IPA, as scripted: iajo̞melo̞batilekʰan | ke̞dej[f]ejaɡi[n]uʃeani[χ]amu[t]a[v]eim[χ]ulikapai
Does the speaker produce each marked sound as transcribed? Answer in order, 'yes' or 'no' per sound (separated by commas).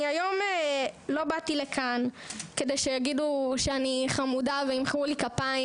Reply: no, no, yes, no, yes, yes